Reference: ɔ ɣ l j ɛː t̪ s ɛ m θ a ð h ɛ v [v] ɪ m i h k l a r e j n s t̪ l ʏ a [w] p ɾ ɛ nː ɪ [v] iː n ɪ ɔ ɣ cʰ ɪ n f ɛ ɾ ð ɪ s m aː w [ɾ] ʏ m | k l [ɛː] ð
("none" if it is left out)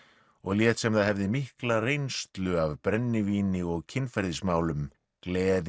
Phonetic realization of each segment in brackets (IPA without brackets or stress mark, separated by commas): ð, v, v, l, ɛː